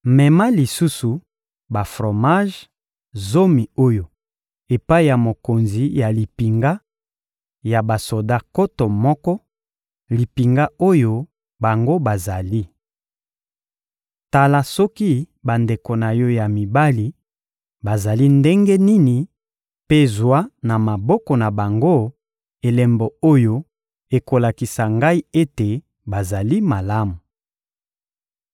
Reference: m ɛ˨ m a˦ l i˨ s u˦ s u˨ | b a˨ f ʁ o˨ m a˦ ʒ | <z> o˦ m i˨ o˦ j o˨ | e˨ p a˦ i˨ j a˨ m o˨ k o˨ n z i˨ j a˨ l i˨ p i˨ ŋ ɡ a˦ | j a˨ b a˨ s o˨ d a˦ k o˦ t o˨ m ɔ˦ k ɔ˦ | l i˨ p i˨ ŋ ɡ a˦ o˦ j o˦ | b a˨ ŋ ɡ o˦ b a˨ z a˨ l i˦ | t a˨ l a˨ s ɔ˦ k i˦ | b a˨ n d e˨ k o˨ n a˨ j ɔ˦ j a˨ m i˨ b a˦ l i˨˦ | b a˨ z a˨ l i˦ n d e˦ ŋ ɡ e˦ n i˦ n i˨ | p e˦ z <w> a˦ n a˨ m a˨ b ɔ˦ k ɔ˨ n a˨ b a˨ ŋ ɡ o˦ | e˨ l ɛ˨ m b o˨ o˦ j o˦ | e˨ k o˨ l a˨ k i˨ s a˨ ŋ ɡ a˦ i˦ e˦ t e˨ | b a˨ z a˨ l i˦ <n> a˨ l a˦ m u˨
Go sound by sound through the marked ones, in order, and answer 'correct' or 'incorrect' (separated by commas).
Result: correct, correct, incorrect